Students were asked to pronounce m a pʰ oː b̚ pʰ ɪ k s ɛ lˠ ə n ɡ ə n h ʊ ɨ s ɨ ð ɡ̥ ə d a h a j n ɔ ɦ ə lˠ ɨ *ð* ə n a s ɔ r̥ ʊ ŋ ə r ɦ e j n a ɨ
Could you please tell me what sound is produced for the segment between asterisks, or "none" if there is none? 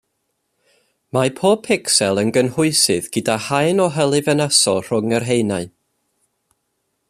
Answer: v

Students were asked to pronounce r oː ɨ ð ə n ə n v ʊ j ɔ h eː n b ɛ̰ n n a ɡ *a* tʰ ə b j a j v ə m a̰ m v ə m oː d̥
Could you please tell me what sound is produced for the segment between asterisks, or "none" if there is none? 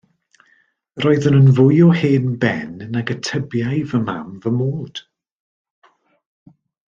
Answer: ə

